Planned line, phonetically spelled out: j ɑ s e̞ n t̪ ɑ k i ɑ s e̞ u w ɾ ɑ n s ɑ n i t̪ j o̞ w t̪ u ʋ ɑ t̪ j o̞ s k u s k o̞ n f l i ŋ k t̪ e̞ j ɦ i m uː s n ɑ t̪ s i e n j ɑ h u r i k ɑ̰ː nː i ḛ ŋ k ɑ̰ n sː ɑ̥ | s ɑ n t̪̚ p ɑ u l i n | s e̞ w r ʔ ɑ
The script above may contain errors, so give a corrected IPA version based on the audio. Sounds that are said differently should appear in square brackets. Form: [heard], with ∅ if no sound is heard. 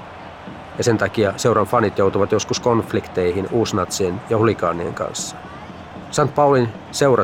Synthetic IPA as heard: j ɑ s e̞ n t̪ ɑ k i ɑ s e̞ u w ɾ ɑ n [f] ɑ n i t̪ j o̞ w t̪ u ʋ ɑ t̪ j o̞ s k u s k o̞ n f l i [∅] k t̪ e̞ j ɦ i [n] uː s n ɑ t̪ s i e n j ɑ h u [l] i k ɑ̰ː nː i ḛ ŋ k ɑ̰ n sː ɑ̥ | s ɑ n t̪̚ p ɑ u l i n | s e̞ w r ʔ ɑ